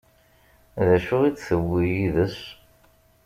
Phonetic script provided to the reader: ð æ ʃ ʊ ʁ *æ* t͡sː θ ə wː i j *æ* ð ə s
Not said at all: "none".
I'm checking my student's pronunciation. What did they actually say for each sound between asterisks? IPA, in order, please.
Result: i, i

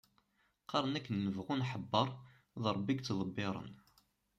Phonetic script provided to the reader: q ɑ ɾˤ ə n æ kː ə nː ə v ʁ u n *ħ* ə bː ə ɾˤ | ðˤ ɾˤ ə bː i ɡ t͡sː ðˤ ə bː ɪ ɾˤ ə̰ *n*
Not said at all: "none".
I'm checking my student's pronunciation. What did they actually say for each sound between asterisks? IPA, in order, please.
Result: ħ, n

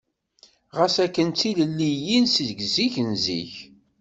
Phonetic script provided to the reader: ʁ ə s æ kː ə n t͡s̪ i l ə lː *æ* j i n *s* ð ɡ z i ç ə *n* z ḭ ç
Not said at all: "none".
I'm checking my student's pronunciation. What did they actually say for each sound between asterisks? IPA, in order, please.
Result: i, s, n

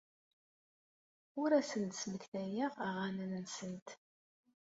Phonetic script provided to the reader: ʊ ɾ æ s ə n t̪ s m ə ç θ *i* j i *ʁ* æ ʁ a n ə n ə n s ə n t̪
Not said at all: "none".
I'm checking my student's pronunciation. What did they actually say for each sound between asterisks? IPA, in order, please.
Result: æ, ʁ

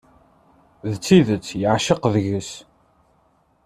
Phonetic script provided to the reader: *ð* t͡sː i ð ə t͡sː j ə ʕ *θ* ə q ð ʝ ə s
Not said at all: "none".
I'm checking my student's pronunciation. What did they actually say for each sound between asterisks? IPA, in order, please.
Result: ð, ʃ

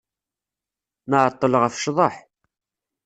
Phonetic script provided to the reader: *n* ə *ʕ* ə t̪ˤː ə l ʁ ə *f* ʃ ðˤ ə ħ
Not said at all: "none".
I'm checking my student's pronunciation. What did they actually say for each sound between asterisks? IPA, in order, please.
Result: n, ʕ, f

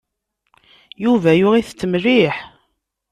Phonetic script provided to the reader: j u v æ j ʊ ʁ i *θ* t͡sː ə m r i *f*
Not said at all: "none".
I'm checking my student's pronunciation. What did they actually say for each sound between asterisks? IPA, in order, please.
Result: θ, ħ

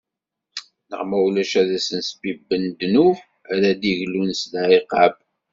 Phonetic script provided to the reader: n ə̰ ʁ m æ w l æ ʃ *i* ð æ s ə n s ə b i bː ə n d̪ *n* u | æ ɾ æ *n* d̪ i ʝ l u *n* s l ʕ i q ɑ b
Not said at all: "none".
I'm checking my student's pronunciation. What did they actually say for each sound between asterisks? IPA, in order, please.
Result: æ, n, none, n

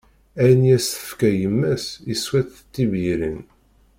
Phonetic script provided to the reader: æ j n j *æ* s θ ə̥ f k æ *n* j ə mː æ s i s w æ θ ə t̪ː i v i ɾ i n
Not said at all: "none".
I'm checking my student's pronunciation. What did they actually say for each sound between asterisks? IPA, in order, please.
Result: æ, none

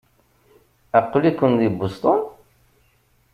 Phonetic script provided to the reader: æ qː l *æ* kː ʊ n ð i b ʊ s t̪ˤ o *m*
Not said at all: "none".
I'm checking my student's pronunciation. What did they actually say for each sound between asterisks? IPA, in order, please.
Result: i, n

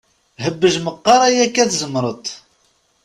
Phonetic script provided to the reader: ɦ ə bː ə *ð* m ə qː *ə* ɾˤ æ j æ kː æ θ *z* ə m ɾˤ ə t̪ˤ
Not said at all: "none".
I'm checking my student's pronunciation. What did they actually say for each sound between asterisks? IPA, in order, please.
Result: ʒ, ɑ, z

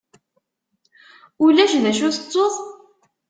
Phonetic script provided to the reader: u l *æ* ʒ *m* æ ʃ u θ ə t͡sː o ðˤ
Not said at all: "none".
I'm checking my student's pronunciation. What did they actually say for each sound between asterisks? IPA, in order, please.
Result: æ, n

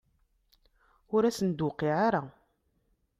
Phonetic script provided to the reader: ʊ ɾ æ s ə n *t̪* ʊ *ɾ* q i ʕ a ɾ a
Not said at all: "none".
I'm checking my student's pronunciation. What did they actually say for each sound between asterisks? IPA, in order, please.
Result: d̪, none

